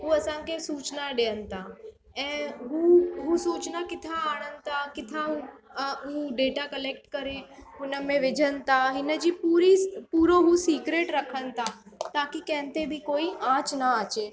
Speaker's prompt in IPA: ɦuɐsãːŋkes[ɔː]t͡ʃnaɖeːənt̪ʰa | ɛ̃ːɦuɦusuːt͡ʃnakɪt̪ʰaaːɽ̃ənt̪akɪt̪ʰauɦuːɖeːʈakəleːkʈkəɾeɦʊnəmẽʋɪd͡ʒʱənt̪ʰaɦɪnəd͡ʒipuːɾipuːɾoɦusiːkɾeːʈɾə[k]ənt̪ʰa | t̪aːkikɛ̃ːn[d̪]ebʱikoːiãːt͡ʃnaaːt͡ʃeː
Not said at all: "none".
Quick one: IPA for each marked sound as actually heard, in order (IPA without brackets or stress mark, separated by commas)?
uː, kʰ, t̪